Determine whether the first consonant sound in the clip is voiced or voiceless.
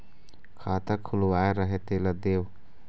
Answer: voiceless